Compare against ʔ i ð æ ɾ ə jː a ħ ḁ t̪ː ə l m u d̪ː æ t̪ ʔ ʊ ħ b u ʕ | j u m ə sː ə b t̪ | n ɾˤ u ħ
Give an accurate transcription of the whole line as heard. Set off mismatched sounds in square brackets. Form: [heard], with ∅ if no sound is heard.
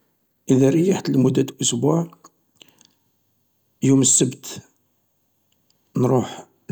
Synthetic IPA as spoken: ʔ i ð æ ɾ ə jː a ħ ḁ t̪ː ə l m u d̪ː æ t̪ ʔ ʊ [s] b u ʕ | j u m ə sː ə b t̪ | n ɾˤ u ħ